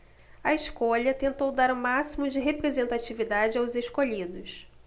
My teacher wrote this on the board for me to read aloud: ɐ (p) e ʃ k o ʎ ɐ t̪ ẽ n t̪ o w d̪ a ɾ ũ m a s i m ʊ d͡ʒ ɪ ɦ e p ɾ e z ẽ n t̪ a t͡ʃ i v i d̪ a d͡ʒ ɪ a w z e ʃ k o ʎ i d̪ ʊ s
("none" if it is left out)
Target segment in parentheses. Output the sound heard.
none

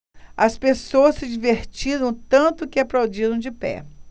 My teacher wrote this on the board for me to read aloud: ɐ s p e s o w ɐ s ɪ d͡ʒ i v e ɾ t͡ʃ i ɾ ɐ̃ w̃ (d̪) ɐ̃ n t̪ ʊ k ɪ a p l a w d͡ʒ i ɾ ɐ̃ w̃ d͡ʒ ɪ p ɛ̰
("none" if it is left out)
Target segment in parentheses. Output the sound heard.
t̪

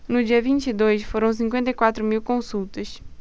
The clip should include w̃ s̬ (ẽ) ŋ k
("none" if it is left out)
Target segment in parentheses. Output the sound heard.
ĩ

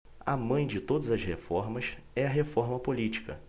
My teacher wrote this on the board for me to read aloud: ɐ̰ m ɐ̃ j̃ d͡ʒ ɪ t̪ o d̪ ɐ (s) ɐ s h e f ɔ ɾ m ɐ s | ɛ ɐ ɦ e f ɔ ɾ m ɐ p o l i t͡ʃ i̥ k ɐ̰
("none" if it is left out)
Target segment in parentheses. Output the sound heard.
z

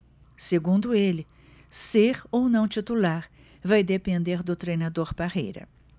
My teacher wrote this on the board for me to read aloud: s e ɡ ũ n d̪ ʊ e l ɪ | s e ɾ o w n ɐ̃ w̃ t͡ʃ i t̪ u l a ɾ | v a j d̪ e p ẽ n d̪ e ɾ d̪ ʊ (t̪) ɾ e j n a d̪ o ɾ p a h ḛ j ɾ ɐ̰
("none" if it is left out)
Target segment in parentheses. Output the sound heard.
t̪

